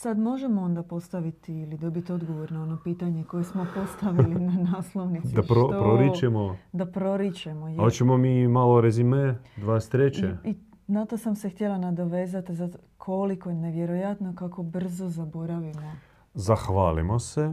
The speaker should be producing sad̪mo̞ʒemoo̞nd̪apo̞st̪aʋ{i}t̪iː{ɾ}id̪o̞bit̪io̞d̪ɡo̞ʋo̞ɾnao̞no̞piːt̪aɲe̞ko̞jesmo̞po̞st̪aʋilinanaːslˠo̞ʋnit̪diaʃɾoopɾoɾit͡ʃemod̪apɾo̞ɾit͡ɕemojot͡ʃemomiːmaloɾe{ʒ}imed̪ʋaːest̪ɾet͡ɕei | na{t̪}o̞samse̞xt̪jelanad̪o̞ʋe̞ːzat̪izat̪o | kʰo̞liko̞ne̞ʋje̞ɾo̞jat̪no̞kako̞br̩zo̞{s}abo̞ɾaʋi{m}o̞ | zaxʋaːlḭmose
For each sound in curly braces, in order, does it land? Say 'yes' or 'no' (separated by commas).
yes, no, no, yes, no, yes